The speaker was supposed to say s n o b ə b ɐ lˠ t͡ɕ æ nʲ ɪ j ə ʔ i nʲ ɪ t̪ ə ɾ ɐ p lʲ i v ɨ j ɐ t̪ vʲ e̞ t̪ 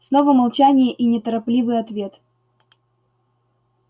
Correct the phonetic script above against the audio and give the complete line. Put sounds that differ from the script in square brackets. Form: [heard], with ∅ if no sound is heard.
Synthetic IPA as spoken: s n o [v] ə [m] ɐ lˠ t͡ɕ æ nʲ ɪ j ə ʔ i nʲ ɪ t̪ ə ɾ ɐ p lʲ i v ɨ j ɐ t̪ vʲ e̞ t̪